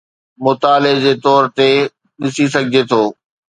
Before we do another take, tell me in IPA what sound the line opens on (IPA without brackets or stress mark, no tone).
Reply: m